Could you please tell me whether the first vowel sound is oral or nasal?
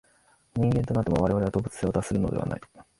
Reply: nasal